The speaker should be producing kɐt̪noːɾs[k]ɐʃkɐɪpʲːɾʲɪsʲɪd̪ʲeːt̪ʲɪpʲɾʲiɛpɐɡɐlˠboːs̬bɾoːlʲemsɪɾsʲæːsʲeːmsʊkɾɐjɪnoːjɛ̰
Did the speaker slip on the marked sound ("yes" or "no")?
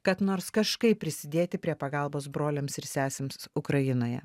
no